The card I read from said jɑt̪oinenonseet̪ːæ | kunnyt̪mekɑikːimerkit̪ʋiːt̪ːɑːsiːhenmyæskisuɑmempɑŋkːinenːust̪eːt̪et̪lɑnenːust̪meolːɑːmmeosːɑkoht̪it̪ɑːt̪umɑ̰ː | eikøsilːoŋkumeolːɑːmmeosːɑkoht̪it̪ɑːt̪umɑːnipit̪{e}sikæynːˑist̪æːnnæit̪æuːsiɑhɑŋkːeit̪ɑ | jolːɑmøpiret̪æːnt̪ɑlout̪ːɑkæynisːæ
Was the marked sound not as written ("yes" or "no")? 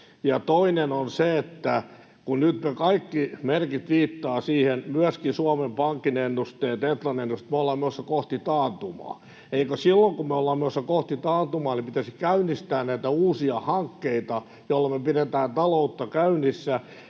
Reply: yes